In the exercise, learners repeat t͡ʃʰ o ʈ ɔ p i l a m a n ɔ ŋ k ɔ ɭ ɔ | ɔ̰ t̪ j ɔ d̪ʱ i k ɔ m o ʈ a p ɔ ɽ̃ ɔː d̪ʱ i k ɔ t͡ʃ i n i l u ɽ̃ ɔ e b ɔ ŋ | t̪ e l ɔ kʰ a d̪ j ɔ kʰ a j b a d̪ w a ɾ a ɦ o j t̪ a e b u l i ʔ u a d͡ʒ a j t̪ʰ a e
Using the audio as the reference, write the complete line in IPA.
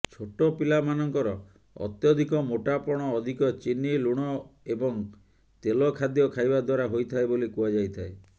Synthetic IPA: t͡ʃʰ o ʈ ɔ p i l a m a n ɔ ŋ k ɔ ɾ ɔ | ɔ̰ t̪ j ɔ d̪ʱ i k ɔ m o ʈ a p ɔ ɽ̃ ɔː d̪ʱ i k ɔ t͡ʃ i n i l u ɽ̃ ɔ e b ɔ ŋ | t̪ e l ɔ kʰ a d̪ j ɔ kʰ a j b a d̪ w a ɾ a ɦ o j t̪ʰ a e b o l i k u a d͡ʒ a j t̪ʰ a e